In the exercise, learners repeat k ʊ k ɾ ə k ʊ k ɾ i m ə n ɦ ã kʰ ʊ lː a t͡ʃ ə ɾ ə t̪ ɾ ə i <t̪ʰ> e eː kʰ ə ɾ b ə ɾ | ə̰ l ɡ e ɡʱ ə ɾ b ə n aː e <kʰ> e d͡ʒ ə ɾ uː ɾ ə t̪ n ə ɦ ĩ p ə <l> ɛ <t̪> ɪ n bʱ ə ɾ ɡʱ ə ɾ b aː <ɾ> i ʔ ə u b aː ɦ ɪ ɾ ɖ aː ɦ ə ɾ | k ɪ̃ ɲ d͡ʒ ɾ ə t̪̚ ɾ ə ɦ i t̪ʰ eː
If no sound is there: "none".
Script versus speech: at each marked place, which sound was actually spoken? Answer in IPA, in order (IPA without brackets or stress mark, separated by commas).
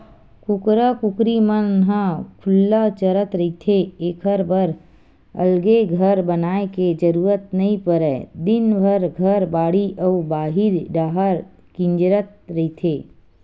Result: t̪ʰ, k, ɾ, d̪, ɽ